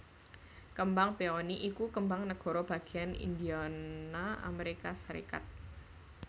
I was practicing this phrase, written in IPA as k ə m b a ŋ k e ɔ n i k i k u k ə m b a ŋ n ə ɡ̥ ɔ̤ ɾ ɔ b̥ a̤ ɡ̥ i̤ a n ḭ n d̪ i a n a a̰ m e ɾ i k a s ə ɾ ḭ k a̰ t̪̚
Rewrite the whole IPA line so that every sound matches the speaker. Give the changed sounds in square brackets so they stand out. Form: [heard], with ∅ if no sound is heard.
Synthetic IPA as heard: k ə m b a ŋ [p] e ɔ n i [ʔ] i k u k ə m b a ŋ n ə ɡ̥ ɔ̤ ɾ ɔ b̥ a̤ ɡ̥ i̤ a n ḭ n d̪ i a n a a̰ m e ɾ i k a s ə ɾ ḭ k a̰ t̪̚